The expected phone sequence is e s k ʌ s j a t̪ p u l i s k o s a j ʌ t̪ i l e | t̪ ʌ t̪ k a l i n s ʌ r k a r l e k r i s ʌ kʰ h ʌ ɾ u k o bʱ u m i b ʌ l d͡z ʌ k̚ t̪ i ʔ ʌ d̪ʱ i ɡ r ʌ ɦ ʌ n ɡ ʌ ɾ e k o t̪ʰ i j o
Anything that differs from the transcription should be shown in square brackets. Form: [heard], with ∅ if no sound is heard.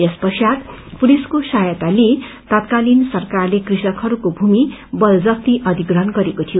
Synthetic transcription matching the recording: e s [p] ʌ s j a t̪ p u l i s k o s a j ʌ t̪ [a] l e | t̪ ʌ t̪ k a l i n s ʌ r k a r l e k r i s ʌ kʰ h ʌ ɾ u k o bʱ u m i b ʌ l d͡z ʌ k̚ t̪ i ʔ ʌ d̪ʱ i ɡ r ʌ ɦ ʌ n ɡ ʌ ɾ e k o t̪ʰ i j o